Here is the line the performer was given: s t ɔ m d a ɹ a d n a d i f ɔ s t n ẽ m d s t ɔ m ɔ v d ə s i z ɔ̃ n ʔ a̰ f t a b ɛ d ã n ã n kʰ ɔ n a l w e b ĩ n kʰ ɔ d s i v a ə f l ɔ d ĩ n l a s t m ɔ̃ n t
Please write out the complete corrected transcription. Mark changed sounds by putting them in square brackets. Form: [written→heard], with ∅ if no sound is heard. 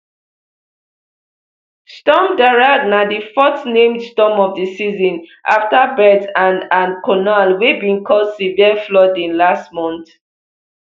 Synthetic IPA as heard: s t ɔ m d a ɹ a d n a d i f ɔ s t n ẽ m d s t ɔ m ɔ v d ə s i z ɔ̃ n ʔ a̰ f t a b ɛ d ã n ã n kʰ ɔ n a l w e b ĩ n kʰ ɔ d s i v [a→i] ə f l ɔ d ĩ n l a s t m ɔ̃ n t

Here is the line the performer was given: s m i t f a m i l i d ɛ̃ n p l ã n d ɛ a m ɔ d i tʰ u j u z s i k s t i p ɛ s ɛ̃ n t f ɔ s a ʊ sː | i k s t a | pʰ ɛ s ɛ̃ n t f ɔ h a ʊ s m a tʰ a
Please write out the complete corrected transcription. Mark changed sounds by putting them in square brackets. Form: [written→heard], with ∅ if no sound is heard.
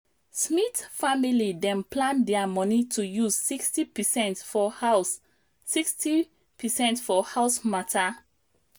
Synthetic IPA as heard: s m i t f a m i l i d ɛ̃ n p l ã n d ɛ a m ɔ [d→n] i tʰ u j u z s i k s t i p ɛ s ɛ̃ n t f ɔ [s→h] a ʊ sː | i k s t [a→i] | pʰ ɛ s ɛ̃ n t f ɔ h a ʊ s m a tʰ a

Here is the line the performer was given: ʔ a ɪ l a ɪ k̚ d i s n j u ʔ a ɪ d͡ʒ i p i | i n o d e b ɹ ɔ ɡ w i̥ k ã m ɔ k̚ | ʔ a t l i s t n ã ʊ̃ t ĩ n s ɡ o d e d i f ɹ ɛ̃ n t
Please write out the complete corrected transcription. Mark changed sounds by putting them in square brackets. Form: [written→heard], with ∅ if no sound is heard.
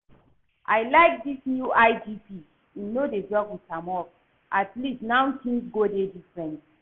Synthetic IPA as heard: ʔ a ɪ l a ɪ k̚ d i s n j u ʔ a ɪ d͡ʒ i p i | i n o d e [b→d] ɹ ɔ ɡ w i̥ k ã m ɔ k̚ | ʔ a t l i s t n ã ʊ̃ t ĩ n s ɡ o d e d i f ɹ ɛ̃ n t

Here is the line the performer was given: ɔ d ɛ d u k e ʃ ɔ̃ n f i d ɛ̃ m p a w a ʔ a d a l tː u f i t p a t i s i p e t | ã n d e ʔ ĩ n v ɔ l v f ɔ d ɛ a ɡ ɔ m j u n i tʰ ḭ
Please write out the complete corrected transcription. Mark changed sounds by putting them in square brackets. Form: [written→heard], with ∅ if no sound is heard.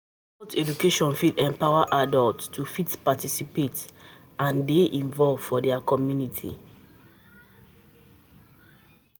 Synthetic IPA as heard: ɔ [d→t] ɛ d u k e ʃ ɔ̃ n f i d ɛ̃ m p a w a ʔ a d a l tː u f i t p a t i s i p e t | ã n d e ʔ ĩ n v ɔ l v f ɔ d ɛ a [ɡ→k] ɔ m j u n i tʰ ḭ

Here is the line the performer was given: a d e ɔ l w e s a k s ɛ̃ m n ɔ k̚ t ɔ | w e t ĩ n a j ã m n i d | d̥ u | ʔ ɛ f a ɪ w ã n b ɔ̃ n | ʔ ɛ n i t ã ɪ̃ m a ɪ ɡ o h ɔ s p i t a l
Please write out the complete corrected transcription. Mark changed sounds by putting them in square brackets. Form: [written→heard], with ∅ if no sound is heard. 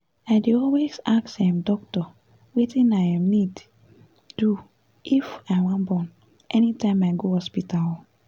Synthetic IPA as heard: a d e ɔ l w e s a k s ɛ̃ m [n→d] ɔ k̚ t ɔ | w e t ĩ n a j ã m n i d | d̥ u | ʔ [ɛ→i] f a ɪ w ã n b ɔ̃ n | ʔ ɛ n i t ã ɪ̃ m a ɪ ɡ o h ɔ s p i t a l

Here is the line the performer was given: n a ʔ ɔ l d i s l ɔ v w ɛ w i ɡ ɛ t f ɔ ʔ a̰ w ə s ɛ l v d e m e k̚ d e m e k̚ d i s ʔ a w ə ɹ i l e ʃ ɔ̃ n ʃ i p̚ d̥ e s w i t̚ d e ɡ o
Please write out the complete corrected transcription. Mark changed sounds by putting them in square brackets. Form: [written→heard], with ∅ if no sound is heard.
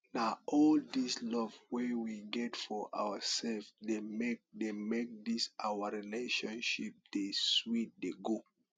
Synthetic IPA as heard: n a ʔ ɔ l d i s l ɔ v w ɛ w i ɡ ɛ t f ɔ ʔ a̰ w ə s ɛ l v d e m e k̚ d e m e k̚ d i s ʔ a w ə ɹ i l e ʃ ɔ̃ n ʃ i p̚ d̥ e s w i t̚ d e ɡ o

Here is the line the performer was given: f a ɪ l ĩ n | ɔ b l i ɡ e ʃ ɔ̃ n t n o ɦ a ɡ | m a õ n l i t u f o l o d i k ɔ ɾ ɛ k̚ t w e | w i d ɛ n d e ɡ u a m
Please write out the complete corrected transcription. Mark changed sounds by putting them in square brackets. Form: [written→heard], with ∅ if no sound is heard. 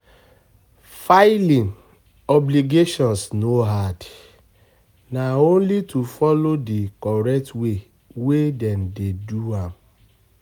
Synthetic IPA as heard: f a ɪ l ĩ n | ɔ b l i ɡ e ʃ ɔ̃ n [t→s] n o ɦ a [ɡ→d] | [m→n] a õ n l i t u f [o→ɔ] l o d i k ɔ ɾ ɛ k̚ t w e | w [i→e] d ɛ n d e [ɡ→d] u a m

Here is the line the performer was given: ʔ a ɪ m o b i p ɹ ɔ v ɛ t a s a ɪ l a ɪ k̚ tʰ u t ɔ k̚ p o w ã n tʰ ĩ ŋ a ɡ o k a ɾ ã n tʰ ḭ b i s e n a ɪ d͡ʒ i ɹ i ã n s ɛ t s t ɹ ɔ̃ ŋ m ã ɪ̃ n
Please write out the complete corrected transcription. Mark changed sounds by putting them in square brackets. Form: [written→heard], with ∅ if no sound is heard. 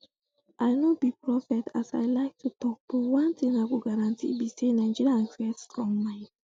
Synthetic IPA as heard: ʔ a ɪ [m→n] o b i p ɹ ɔ [v→f] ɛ t a s a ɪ l a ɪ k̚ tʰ u t ɔ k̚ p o w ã n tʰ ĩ ŋ a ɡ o [k→ɡ] a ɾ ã n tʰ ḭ b i s e n a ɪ d͡ʒ i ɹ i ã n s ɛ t s t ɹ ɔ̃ ŋ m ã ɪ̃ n

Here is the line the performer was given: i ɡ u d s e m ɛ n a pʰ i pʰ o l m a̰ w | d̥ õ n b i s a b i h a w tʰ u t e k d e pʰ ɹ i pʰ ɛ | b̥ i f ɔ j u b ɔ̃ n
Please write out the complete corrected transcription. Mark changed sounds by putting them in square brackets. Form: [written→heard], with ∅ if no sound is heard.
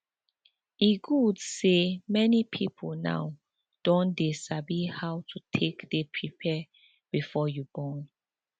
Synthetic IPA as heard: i ɡ u d s e m ɛ n [a→i] pʰ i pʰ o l [m→n] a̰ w | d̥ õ n [b→d] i s a b i h a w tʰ u [t→tʰ] e k d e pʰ ɹ i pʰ ɛ | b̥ i f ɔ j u b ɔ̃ n

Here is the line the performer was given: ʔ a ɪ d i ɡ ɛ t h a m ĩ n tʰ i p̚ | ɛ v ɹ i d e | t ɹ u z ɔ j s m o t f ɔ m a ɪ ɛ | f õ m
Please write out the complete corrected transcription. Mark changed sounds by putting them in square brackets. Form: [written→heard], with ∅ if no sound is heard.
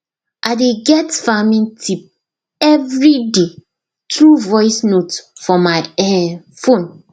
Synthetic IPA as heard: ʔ a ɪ d [i→e] ɡ ɛ t [h→f] a m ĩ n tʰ i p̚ | ɛ v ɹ i d e | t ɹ u [z→v] ɔ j s [m→n] o t f ɔ m a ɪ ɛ | f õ [m→n]

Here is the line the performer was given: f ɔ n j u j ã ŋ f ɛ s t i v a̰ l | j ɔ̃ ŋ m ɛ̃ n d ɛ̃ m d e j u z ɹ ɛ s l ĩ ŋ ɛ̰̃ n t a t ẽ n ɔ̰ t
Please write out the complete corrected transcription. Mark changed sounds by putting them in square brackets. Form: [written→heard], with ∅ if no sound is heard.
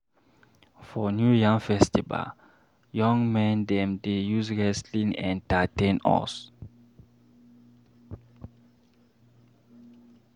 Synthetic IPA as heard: f ɔ n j u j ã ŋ f ɛ s t i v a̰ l | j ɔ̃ ŋ m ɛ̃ n d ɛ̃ m d e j u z ɹ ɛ s l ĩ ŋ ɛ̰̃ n t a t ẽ n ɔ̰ [t→s]

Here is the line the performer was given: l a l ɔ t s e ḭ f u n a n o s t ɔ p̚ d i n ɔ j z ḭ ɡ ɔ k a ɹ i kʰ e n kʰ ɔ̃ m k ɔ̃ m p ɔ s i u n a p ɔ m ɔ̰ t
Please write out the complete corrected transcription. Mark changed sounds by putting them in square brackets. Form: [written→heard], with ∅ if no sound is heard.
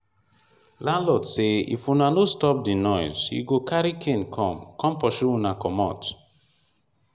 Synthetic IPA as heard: l a l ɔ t s e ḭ f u n a n o s t ɔ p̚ d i n ɔ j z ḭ ɡ [ɔ→o] k a [ɹ→ɾ] i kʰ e n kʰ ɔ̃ m k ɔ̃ m p ɔ [s→ʃ] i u n a [p→k] ɔ m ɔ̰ t

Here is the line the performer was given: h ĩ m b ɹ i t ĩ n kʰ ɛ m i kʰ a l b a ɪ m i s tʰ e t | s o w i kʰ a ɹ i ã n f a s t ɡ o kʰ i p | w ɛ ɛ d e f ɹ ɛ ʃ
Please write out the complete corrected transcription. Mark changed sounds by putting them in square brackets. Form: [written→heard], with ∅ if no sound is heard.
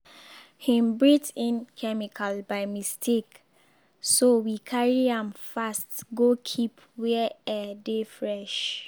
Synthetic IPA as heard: h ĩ m b ɹ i t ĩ n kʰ ɛ m i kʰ a l b a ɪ m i s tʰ e [t→k] | s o w i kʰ a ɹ i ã [n→m] f a s t ɡ o kʰ i p | w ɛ ɛ d e f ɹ ɛ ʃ

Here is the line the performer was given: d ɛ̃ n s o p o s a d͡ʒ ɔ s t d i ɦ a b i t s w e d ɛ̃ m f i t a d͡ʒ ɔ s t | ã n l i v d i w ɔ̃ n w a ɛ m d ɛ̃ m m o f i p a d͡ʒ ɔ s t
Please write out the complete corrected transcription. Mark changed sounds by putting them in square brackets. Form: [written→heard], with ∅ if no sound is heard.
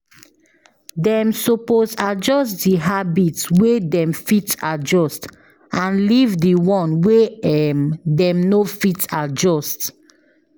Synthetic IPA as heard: d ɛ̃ [n→m] s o p o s a d͡ʒ ɔ s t d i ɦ a b i t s w e d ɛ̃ m f i t a d͡ʒ ɔ s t | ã n l i v d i w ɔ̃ n w [a→e] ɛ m d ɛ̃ m [m→n] o f i [p→t] a d͡ʒ ɔ s t

